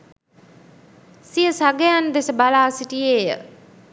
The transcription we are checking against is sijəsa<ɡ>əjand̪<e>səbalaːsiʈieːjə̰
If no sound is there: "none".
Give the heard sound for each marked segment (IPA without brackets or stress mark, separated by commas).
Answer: ɡ, e